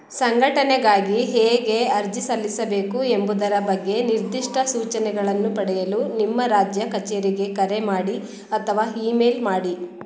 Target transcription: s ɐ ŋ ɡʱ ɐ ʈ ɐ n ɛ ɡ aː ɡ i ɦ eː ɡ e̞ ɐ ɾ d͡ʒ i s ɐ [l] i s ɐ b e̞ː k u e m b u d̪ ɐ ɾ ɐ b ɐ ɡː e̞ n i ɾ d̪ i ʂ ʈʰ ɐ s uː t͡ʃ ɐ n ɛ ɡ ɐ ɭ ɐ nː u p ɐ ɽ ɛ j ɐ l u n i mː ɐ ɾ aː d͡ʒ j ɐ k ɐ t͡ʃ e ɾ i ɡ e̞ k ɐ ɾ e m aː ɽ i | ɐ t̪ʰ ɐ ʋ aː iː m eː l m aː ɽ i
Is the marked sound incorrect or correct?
incorrect